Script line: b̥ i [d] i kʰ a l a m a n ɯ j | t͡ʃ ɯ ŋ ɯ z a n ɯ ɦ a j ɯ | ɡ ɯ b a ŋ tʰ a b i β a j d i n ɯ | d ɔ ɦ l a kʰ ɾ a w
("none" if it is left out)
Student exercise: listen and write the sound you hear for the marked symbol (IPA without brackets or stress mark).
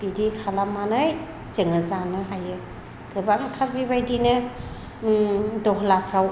d